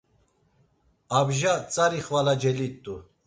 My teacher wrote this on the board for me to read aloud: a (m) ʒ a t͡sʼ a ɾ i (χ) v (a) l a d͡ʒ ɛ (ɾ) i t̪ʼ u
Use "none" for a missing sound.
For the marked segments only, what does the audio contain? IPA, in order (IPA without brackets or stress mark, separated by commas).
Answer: b, χ, a, l